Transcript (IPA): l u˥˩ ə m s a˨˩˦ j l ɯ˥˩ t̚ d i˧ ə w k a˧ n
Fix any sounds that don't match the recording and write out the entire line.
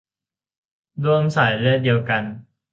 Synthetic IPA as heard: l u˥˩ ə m s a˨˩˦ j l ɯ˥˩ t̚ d i˧ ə w k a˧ n